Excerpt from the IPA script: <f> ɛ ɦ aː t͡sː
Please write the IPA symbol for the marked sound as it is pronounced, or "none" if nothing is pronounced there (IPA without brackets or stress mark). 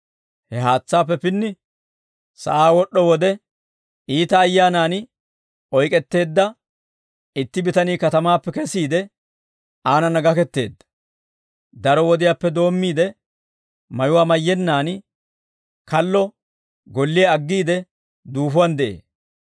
h